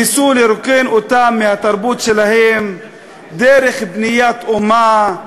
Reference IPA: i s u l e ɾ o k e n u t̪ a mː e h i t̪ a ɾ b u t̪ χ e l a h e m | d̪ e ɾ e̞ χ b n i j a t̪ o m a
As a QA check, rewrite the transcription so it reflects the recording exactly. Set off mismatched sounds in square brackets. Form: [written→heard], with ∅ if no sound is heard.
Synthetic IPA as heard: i s u l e ɾ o k e n [u→o] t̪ a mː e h [i→a] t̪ a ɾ b u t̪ [χ→ʃ] e l a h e m | d̪ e ɾ e̞ χ b n i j a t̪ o m a